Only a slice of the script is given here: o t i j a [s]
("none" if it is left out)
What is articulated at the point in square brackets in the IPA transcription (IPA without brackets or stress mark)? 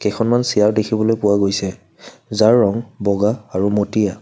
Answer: none